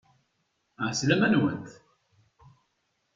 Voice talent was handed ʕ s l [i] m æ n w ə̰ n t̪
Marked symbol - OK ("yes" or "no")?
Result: no